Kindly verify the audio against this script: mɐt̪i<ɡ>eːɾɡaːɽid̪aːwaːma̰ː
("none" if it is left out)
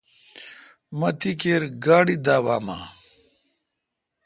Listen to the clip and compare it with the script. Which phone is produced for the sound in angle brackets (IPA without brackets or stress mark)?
k